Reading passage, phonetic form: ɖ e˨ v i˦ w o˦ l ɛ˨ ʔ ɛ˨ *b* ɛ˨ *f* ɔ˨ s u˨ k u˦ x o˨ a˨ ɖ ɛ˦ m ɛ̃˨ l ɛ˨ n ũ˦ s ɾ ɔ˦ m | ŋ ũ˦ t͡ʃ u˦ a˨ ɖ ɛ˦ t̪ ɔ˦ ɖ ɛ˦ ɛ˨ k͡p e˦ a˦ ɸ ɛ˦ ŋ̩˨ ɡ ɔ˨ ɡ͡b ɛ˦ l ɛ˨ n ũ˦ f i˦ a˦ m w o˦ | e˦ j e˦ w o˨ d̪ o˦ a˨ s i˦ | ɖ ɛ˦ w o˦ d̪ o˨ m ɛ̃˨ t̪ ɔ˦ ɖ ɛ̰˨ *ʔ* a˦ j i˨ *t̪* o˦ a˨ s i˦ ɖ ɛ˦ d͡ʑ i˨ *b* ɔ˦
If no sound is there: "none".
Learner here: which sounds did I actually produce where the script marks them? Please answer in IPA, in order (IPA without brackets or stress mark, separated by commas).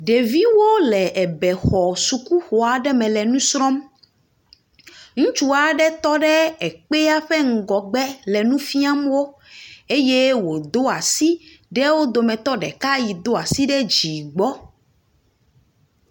b, x, k, d̪, ɡ͡b